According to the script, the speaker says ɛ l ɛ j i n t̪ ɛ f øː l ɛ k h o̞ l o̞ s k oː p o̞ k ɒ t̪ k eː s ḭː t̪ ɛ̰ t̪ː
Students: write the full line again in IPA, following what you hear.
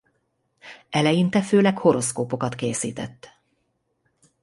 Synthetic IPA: ɛ l ɛ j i n t̪ ɛ f øː l ɛ k h o̞ ɾ o̞ s k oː p o̞ k ɒ t̪ k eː s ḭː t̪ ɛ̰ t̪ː